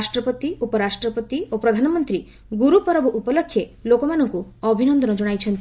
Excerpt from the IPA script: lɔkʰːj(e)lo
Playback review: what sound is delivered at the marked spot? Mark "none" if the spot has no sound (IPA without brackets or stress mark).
e